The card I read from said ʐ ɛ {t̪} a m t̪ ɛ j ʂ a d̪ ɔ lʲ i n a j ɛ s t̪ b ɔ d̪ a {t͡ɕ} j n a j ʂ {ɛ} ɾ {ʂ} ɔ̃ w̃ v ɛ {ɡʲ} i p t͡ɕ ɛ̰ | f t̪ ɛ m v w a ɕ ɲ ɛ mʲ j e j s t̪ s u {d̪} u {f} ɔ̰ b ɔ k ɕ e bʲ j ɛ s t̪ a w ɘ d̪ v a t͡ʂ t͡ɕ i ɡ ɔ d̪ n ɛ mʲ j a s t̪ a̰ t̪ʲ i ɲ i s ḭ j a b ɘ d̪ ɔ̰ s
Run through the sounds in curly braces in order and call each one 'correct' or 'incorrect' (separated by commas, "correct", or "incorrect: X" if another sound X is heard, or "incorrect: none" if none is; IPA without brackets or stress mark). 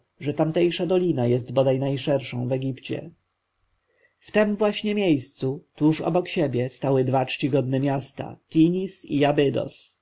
correct, incorrect: none, correct, correct, correct, incorrect: t̪, incorrect: ʂ